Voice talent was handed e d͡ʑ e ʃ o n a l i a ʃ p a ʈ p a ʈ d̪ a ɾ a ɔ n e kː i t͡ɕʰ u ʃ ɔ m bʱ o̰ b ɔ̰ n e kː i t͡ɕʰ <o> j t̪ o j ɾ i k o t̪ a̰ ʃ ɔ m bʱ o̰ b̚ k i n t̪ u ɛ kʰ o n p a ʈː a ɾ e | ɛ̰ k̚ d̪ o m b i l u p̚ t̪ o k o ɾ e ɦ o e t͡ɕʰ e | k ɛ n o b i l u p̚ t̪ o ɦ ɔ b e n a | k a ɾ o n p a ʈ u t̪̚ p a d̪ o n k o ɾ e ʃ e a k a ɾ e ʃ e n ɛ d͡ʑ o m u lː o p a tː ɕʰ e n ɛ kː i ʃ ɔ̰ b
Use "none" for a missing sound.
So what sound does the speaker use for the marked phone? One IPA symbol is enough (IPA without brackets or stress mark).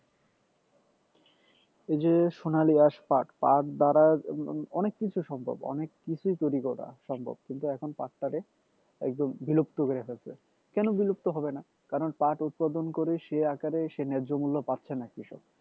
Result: u